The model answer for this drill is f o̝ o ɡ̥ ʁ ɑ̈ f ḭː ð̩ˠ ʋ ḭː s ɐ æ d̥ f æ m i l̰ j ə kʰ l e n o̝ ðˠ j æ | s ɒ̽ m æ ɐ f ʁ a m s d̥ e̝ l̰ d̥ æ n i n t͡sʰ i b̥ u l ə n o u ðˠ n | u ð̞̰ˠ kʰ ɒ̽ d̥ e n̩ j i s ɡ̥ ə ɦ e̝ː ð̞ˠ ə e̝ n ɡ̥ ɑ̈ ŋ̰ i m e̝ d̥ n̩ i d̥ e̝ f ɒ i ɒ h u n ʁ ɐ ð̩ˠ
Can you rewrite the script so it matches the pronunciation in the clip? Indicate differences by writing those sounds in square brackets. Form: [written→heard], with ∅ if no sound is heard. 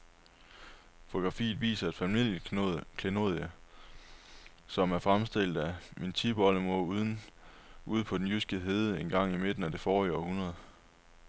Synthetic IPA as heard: f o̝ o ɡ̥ ʁ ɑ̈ f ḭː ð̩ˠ ʋ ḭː s ɐ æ d̥ f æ m i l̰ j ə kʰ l e n o̝ ðˠ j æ | s ɒ̽ m æ ɐ f ʁ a m s d̥ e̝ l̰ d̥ æ [n→m] i n t͡sʰ i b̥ [u→ɒ] l ə [n→m] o u ðˠ n | u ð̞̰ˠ [kʰ→pʰ] ɒ̽ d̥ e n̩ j [i→y] s ɡ̥ ə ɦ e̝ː ð̞ˠ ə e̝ n ɡ̥ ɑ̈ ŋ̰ i m e̝ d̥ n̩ [i→æ] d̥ e̝ f [ɒ→ɒː] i ɒ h u n ʁ ɐ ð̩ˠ

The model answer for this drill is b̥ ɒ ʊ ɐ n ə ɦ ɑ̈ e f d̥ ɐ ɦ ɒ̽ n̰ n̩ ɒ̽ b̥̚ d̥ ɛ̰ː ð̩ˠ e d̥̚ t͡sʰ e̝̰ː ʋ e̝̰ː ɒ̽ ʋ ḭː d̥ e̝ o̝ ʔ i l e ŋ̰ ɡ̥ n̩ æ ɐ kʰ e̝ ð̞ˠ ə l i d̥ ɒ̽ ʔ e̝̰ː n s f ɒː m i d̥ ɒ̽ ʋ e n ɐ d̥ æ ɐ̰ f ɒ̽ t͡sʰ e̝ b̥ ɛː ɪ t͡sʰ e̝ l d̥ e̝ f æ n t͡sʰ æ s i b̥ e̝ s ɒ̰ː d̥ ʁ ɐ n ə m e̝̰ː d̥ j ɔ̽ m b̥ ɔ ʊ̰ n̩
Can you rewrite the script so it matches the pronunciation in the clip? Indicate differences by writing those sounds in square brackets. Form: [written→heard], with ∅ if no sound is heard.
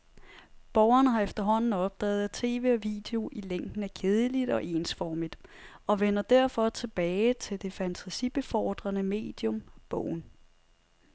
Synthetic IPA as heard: b̥ ɒ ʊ ɐ n ə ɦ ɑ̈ e f d̥ ɐ ɦ ɒ̽ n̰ n̩ ɒ̽ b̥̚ d̥ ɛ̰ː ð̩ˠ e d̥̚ t͡sʰ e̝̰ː ʋ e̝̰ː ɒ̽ ʋ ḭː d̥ e̝ o̝ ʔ i l e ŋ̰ ɡ̥ n̩ æ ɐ kʰ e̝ ð̞ˠ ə l i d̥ ɒ̽ ʔ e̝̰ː n s f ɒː m i d̥ ɒ̽ ʋ e n ɐ d̥ æ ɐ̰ f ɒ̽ t͡sʰ e̝ b̥ ɛː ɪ t͡sʰ e̝ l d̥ e̝ f æ n t͡sʰ æ s i b̥ e̝ [s→f] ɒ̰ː d̥ ʁ ɐ n ə m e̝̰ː d̥ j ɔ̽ m b̥ ɔ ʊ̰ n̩

